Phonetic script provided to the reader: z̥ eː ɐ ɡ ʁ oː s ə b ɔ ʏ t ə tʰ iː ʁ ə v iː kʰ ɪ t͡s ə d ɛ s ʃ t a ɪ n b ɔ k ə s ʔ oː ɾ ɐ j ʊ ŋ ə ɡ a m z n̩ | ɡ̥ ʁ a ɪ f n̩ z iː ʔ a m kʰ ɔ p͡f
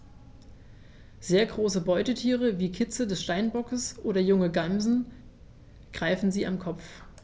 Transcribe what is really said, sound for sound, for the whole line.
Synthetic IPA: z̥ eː ɐ ɡ ʁ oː s ə b ɔ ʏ t ə tʰ iː ʁ ə v iː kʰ ɪ t͡s ə d ɛ s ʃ t a ɪ n b ɔ k ə s ʔ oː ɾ ɐ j ʊ ŋ ə ɡ a m z n̩ | ɡ̥ ʁ a ɪ f n̩ z iː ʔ a m kʰ ɔ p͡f